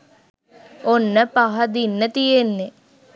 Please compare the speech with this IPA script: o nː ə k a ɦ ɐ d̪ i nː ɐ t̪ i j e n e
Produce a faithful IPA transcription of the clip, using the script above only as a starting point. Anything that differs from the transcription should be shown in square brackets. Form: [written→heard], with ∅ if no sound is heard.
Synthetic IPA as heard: o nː ə [k→p] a ɦ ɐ d̪ i nː [ɐ→ə] t̪ i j e [n→nː] e